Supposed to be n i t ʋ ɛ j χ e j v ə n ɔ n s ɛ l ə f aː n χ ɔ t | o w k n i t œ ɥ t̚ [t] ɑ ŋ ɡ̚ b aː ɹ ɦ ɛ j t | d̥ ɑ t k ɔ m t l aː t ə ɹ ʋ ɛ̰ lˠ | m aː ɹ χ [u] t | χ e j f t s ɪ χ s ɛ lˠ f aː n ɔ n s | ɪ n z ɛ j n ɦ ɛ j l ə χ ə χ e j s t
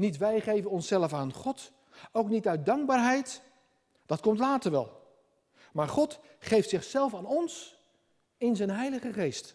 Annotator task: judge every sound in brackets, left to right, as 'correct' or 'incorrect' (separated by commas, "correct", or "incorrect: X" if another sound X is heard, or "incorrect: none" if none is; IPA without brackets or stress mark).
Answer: incorrect: d, incorrect: ɔ